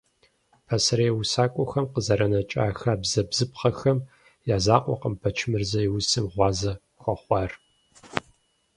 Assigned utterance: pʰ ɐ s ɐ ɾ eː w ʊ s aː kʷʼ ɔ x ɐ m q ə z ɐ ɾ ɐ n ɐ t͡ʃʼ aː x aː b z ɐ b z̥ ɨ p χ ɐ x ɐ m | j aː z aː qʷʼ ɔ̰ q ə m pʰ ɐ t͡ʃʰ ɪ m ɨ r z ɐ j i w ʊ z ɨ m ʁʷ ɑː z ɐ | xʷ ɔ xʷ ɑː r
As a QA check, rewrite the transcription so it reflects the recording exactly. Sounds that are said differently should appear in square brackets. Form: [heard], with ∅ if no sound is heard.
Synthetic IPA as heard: pʰ ɐ s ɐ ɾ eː w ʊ s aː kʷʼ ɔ x ɐ m q ə z ɐ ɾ ɐ n ɐ t͡ʃʼ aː x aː b z ɐ b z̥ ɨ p χ ɐ x ɐ m | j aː z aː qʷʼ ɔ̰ q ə m pʰ ɐ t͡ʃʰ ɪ m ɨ r z ɐ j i w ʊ [s] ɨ m ʁʷ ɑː z ɐ | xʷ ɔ [χʷ] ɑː r